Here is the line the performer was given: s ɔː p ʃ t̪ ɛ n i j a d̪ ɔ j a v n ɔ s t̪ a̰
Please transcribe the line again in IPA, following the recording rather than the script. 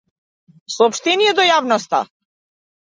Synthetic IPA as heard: s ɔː p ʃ t̪ ɛ n i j ɛ d̪ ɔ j a v n ɔ s t̪ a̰